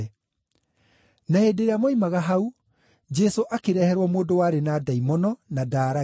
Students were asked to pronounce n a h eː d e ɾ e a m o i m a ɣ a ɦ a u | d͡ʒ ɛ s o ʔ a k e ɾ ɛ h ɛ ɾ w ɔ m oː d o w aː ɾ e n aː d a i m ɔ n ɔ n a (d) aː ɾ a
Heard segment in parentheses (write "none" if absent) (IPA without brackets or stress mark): d